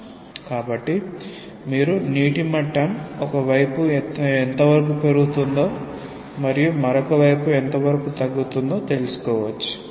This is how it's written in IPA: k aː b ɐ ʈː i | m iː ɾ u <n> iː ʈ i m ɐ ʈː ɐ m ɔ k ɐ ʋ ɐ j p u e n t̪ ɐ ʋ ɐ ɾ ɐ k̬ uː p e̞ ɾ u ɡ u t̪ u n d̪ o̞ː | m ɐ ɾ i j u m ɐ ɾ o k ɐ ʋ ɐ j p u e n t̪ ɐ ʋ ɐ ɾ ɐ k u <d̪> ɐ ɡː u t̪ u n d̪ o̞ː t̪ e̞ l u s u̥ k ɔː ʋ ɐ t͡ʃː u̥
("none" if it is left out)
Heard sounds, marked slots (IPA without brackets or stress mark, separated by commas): n, t̪